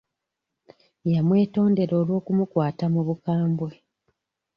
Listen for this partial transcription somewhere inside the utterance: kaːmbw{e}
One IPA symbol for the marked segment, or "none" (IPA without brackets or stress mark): e